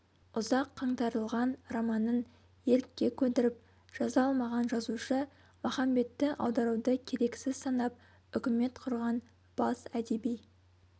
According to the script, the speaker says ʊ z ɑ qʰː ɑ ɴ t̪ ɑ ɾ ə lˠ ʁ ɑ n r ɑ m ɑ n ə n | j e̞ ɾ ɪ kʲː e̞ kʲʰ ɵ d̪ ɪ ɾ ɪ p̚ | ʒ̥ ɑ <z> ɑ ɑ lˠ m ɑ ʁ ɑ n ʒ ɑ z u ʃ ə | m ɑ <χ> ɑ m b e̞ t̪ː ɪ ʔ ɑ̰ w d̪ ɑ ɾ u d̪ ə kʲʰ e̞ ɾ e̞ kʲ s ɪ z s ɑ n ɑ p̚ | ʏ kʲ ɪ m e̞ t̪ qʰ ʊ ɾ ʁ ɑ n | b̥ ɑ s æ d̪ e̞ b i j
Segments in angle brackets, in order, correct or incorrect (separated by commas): correct, correct